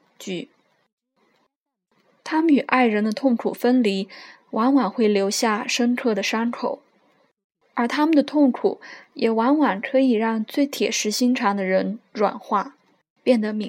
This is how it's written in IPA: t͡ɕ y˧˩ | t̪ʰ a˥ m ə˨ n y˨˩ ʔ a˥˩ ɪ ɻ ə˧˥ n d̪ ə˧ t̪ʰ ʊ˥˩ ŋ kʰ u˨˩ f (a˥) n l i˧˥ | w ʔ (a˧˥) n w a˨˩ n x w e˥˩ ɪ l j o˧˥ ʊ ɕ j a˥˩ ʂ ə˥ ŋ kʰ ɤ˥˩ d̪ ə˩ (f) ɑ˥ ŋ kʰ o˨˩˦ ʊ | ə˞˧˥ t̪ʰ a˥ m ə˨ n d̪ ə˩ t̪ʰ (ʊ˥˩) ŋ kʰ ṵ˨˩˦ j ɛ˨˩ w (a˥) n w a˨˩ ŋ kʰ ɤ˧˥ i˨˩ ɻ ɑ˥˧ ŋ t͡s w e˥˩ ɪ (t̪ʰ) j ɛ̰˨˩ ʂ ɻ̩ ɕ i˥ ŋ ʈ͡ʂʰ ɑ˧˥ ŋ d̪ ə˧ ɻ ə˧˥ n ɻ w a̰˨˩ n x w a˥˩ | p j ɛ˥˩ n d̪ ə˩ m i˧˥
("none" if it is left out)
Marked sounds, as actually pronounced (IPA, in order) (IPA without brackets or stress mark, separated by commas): ə˥, a˧˥, ʂ, ʊ˥˩, a˧˥, t̪ʰ